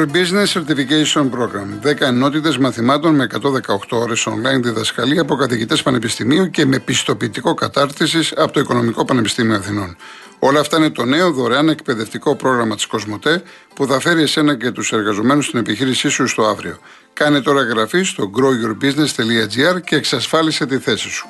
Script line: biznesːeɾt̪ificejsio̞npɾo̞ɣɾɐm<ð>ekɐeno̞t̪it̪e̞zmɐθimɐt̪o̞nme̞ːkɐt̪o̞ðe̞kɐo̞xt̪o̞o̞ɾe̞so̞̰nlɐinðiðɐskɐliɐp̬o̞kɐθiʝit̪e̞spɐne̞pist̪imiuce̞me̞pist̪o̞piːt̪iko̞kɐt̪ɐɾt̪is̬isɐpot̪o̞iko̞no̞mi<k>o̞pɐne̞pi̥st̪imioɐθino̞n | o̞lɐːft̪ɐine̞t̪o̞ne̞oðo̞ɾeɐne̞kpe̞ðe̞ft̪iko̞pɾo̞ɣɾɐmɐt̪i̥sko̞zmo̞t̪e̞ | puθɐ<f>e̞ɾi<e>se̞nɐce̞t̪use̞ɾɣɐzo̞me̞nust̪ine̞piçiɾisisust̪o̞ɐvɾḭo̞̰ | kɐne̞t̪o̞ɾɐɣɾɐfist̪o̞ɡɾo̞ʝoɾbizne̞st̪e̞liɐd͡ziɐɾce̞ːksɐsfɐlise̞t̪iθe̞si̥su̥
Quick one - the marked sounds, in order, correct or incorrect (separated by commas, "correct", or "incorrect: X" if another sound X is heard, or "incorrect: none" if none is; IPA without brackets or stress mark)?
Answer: correct, correct, correct, correct